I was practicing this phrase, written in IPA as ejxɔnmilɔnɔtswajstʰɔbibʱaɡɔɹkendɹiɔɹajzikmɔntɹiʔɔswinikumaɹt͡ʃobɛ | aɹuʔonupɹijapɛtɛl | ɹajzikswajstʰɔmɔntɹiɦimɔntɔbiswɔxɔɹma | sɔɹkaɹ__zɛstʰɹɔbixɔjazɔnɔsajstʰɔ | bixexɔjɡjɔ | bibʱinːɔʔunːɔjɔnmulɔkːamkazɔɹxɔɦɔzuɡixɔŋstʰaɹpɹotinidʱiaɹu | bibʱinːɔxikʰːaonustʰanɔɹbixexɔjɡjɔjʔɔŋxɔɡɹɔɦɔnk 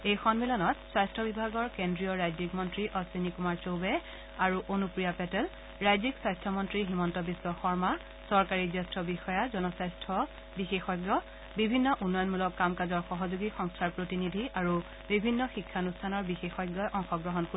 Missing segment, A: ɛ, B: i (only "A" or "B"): B